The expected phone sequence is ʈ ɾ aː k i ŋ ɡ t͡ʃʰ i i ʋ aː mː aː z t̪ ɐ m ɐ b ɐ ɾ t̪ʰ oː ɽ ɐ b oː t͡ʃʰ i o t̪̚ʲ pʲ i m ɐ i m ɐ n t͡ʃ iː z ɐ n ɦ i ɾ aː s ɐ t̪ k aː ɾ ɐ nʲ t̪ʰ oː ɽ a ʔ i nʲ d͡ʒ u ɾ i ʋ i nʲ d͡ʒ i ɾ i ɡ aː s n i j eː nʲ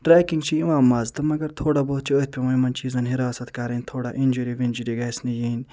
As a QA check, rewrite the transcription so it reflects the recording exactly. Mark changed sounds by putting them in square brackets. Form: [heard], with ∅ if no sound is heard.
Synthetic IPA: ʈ ɾ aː k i ŋ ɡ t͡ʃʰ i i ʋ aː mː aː z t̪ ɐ m ɐ [ɡ] ɐ ɾ t̪ʰ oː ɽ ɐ b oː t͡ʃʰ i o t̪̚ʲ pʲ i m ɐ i m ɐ n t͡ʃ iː z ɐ n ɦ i ɾ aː s ɐ t̪ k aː ɾ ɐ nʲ t̪ʰ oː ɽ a ʔ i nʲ d͡ʒ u ɾ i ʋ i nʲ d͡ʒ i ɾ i ɡ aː s n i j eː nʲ